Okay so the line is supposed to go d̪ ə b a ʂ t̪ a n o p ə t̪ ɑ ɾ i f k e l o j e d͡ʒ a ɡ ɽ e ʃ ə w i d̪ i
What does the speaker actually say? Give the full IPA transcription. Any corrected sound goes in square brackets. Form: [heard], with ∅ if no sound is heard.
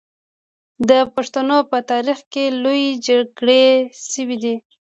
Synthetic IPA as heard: d̪ ə [p] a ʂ t̪ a n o p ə t̪ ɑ ɾ i [x] k e l o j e d͡ʒ a ɡ ɽ e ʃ ə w i d̪ i